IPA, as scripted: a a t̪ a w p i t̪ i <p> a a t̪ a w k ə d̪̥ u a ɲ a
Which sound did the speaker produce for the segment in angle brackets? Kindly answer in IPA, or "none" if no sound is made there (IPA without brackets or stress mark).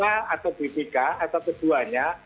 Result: k